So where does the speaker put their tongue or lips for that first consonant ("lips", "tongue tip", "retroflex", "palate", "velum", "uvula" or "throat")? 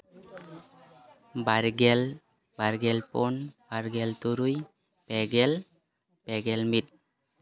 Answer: lips